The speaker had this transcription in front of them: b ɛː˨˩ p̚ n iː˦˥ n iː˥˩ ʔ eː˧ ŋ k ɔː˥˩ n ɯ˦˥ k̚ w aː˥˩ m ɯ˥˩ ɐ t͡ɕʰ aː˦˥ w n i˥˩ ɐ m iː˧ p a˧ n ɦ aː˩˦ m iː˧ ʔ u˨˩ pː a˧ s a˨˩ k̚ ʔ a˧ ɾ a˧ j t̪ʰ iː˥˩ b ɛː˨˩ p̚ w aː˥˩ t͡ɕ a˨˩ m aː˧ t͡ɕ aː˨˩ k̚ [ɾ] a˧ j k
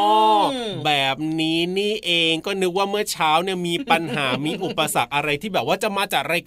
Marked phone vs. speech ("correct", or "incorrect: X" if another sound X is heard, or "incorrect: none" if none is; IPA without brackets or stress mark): correct